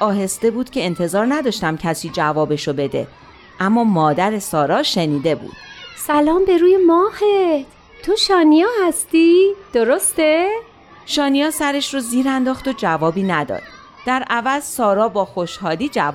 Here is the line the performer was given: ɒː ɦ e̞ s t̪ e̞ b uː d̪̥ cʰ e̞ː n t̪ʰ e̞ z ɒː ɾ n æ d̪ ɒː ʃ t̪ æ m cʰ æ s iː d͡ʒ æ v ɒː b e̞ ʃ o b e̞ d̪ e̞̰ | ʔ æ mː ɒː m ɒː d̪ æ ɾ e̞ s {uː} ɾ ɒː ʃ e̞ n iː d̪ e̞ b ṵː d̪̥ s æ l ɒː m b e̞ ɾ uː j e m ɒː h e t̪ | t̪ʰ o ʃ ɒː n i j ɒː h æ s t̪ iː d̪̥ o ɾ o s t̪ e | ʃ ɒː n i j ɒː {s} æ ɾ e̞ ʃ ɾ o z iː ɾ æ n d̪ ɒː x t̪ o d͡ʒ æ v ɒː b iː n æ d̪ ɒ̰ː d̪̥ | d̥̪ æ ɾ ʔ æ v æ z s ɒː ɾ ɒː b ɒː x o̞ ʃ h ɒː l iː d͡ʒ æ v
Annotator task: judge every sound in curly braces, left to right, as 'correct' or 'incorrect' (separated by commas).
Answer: incorrect, correct